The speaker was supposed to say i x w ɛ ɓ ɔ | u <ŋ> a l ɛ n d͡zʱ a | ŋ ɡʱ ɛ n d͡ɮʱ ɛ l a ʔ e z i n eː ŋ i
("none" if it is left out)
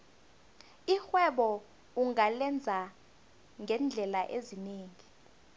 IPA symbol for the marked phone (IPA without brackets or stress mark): ŋ